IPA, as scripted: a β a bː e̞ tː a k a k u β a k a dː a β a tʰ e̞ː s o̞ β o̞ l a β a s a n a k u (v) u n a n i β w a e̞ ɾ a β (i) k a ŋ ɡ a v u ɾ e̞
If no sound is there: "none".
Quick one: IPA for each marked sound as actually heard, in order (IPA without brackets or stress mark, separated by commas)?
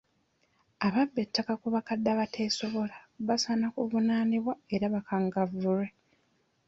v, a